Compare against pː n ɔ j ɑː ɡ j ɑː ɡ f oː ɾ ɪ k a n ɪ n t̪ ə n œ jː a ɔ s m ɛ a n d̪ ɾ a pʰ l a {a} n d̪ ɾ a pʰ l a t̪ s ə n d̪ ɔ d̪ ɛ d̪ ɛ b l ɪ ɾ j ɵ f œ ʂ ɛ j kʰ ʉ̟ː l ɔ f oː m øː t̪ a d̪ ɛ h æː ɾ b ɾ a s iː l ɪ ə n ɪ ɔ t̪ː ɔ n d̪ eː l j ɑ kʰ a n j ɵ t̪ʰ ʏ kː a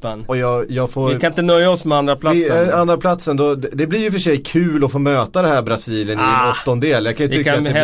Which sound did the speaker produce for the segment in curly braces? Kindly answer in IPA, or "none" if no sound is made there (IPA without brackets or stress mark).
a